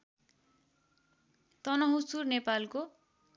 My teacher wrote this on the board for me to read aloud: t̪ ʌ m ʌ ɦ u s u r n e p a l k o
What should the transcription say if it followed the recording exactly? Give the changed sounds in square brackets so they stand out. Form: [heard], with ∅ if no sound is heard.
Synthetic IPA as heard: t̪ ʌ [n] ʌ ɦ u s u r n e p a l k o